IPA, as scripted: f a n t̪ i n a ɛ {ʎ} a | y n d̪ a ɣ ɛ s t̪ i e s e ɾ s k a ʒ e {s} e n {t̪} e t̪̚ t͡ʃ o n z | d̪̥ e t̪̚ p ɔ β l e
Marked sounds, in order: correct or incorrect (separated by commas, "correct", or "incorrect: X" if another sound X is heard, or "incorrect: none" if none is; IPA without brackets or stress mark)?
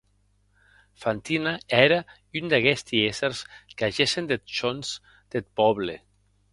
incorrect: ɾ, correct, incorrect: d̪